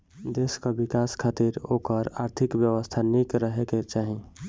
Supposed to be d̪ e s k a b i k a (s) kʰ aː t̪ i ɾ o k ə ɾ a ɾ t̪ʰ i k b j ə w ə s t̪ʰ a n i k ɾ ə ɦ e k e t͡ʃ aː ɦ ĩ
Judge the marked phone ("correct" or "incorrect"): correct